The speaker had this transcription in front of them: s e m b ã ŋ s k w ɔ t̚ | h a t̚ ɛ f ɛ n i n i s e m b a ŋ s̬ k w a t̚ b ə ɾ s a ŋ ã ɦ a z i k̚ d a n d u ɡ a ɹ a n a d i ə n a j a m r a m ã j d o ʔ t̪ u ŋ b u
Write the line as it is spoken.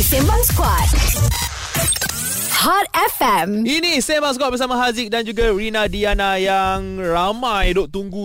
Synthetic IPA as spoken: s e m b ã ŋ s k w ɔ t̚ | h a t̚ ɛ f ɛ m i n i s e m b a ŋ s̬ k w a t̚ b ə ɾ s a m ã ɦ a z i k̚ d a n d͡ʒ u ɡ a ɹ i n a d i a n a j a ŋ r a m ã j d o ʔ t̪ u ŋ ɡ u